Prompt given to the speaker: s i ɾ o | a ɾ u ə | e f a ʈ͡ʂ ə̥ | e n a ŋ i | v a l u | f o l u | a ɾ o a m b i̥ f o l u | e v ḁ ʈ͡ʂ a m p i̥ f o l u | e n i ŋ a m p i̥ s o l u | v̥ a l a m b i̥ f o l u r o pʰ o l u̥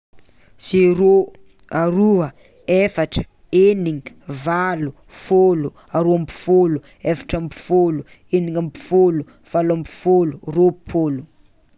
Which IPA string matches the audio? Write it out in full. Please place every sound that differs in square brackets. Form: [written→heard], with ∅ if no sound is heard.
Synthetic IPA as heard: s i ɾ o | a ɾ u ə | e f a ʈ͡ʂ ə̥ | e n [a→i] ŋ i | v a l u | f o l u | a ɾ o a m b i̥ f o l u | e [v→f] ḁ ʈ͡ʂ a m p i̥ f o l u | e n i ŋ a m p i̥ [s→f] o l u | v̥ a l a m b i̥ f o l u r o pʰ o l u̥